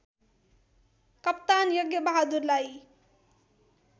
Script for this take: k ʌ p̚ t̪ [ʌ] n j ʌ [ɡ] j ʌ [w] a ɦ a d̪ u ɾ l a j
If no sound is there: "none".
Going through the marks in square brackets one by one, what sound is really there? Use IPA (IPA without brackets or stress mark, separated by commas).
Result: a, ɡ, b